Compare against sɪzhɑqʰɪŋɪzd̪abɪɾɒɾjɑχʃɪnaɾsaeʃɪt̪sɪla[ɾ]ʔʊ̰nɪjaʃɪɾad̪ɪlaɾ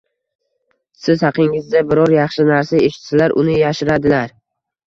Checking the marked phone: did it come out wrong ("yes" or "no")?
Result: no